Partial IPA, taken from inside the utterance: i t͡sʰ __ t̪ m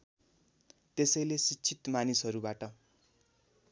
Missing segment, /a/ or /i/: i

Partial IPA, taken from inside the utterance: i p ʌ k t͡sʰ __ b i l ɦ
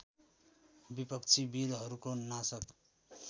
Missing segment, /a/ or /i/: i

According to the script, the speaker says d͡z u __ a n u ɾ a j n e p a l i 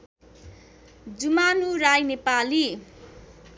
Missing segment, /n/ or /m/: m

